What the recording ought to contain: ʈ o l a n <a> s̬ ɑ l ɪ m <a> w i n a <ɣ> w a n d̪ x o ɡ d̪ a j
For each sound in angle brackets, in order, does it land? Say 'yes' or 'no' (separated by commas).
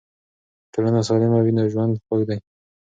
yes, yes, no